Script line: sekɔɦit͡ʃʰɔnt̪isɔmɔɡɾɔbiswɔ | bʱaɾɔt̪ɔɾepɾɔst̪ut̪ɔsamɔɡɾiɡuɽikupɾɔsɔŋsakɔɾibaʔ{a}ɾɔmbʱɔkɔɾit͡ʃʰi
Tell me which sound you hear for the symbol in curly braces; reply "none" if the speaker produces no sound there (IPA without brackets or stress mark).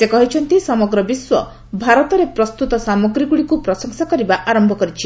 a